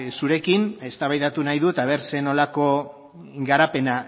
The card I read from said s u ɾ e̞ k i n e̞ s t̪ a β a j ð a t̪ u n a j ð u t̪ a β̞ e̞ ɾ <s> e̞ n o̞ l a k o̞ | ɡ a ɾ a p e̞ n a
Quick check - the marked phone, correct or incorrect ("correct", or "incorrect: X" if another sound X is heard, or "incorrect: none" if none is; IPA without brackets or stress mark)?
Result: correct